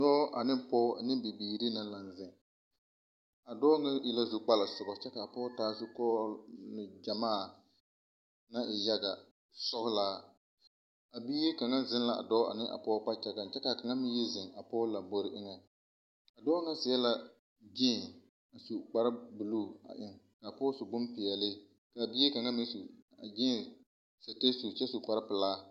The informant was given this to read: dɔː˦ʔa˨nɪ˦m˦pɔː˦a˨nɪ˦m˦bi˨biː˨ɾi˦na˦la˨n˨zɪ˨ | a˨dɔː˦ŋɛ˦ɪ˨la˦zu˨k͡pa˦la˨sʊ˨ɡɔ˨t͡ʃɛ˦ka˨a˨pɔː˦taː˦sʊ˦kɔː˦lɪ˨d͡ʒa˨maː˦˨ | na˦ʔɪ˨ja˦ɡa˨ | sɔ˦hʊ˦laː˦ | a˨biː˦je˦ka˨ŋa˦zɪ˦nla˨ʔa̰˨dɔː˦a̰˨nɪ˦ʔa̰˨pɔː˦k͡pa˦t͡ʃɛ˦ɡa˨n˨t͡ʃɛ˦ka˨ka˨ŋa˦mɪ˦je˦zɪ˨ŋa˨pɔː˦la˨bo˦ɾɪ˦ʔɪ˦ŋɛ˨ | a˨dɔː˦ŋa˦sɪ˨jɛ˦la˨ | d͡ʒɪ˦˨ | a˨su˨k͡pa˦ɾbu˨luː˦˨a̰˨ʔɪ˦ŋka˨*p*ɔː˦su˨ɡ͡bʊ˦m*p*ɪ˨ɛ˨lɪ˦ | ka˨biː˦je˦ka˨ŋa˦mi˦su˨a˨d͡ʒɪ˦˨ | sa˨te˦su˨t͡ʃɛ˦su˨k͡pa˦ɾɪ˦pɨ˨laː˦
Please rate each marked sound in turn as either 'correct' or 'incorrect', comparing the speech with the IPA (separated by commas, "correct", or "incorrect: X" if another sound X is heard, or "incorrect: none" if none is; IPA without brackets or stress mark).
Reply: correct, correct